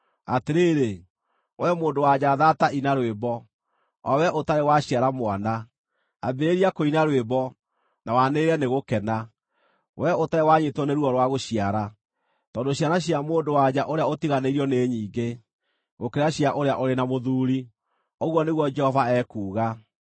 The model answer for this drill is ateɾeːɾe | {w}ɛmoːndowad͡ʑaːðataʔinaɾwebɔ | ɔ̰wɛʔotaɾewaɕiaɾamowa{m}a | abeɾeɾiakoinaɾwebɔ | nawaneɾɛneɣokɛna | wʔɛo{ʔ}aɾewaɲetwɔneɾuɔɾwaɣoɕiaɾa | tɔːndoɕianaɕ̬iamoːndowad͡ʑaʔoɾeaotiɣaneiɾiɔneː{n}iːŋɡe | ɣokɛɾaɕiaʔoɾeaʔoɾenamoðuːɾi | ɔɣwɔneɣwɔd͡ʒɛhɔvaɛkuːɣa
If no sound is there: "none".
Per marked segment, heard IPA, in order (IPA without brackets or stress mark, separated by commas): w, n, t, ɲ